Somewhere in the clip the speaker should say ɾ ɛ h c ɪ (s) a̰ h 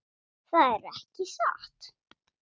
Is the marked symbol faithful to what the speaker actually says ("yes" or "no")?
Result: yes